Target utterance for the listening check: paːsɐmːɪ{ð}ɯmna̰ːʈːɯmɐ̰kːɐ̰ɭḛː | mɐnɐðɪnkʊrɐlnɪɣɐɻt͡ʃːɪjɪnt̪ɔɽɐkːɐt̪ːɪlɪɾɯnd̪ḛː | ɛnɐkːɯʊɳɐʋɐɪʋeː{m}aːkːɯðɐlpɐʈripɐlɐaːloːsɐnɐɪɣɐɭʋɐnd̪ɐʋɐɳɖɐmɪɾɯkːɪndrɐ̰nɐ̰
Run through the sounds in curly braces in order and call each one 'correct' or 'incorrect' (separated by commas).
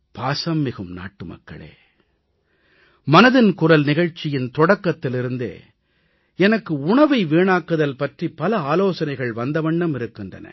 incorrect, incorrect